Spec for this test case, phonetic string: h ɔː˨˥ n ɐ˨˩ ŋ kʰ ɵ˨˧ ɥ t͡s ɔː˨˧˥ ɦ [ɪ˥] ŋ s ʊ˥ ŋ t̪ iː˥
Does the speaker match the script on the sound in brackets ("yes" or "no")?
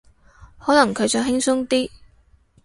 yes